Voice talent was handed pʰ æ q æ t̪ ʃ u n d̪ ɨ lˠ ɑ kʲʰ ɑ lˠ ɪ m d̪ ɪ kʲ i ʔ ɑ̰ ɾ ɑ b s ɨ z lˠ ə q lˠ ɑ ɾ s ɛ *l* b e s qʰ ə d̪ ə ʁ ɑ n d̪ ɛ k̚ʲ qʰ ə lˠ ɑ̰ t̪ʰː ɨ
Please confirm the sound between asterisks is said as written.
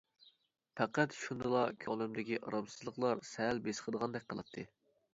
yes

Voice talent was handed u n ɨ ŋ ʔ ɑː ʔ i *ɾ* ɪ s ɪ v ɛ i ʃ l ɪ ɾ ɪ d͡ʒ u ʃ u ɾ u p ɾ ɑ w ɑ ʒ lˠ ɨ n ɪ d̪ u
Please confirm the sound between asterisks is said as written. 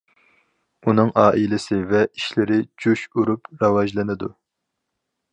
no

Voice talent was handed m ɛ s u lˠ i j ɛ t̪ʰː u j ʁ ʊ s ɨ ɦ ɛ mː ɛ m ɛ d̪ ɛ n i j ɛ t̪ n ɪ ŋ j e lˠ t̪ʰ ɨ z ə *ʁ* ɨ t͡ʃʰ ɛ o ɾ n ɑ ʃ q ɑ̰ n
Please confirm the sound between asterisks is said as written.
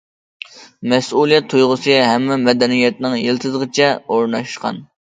yes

